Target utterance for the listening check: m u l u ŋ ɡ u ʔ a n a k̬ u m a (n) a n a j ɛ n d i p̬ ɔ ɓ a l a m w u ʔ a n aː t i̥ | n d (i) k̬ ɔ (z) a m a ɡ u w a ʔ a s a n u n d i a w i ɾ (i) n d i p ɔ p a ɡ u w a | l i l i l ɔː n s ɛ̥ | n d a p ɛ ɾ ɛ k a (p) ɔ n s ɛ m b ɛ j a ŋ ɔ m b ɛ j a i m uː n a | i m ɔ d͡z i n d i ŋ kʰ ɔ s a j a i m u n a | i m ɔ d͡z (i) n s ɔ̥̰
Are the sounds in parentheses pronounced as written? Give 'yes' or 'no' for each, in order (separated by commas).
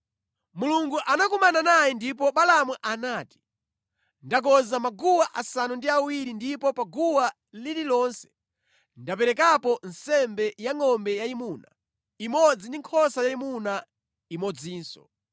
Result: yes, no, yes, yes, yes, no